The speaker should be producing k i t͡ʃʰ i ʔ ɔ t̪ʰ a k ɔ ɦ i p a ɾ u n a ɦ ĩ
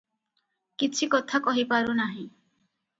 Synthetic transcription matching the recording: k i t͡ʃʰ i k ɔ t̪ʰ a k ɔ ɦ i p a ɾ u n a ɦ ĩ